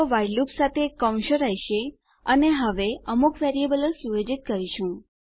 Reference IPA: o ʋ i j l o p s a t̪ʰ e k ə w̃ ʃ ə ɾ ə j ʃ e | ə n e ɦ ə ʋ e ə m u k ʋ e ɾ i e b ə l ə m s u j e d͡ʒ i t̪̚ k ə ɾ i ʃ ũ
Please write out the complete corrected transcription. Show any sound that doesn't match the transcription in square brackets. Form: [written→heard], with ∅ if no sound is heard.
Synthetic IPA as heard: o ʋ [i→a] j l [o→u] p s a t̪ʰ e k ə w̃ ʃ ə ɾ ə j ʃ e | ə n e ɦ ə ʋ e ə m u k ʋ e ɾ i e b ə l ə [m→∅] s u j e d͡ʒ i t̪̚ k ə ɾ i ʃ ũ